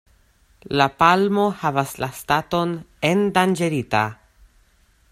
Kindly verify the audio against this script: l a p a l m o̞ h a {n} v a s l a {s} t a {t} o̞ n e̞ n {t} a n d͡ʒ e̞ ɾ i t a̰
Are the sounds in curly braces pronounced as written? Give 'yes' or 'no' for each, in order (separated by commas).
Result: no, yes, yes, no